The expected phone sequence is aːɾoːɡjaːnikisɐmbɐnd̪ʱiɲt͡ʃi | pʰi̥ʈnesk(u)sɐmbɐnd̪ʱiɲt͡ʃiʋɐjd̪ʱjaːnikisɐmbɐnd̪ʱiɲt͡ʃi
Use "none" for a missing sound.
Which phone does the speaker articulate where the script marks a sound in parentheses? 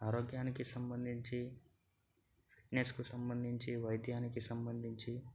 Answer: u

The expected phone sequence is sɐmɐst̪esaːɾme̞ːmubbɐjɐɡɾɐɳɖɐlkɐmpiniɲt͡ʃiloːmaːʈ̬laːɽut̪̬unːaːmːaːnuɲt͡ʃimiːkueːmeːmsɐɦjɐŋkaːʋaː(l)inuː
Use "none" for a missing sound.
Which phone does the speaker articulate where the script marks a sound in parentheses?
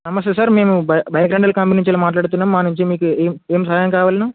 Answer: l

